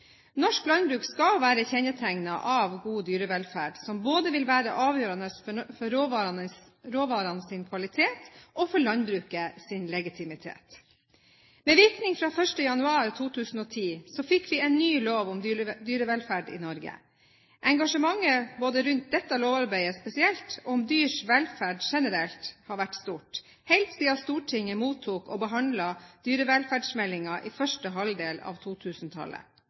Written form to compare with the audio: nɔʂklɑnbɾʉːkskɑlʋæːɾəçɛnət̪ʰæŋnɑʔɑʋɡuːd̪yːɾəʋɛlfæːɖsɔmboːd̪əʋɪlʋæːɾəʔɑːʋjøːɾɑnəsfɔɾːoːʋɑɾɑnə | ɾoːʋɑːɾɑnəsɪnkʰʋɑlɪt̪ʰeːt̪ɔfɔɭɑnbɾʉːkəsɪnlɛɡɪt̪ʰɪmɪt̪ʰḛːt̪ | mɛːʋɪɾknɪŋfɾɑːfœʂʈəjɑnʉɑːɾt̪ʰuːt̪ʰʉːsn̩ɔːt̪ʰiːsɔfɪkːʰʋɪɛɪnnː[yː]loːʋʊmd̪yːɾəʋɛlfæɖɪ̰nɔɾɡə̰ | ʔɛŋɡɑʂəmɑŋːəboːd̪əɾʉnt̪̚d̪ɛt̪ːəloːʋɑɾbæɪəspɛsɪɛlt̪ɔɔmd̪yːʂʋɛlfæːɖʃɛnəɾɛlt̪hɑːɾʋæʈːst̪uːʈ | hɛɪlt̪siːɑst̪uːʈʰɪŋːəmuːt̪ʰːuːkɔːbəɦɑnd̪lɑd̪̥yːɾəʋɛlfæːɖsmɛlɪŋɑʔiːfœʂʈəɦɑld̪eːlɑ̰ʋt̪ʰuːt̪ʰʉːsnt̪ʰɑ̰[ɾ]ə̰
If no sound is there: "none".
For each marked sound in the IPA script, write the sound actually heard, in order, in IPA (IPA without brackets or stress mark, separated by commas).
yː, l